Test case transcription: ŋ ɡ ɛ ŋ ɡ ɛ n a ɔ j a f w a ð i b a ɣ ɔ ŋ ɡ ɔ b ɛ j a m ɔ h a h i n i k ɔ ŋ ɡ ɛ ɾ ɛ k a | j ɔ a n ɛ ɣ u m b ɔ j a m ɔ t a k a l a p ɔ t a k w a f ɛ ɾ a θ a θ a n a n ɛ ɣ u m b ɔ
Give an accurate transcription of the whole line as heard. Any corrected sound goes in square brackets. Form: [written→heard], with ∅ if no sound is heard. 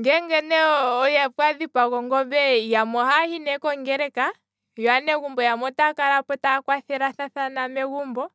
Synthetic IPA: ŋ ɡ ɛ ŋ ɡ ɛ n [a→ɛ] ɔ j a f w a ð i [b→p] a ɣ ɔ ŋ ɡ ɔ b ɛ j a m ɔ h a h i n [i→ɛ] k ɔ ŋ ɡ ɛ ɾ ɛ k a | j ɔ a n ɛ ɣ u m b ɔ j a m ɔ t a k a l a p ɔ t a k w a [f→θ] ɛ ɾ a θ a θ a n a [n→m] ɛ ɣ u m b ɔ